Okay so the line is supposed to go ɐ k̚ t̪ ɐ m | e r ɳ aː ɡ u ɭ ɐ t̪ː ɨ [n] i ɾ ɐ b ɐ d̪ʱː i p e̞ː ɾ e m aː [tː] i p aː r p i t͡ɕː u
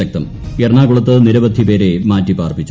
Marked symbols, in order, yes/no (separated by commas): yes, yes